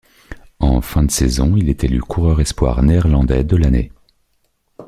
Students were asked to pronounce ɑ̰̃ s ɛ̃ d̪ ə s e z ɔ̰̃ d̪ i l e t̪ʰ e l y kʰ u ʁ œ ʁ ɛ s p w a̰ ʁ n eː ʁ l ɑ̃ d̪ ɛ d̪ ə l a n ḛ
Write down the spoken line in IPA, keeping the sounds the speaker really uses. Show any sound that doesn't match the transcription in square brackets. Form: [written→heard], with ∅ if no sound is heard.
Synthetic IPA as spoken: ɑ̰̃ [s→f] ɛ̃ d̪ ə s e z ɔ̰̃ [d̪→∅] i l e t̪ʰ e l y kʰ u ʁ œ ʁ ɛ s p w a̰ ʁ n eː ʁ l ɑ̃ d̪ ɛ d̪ ə l a n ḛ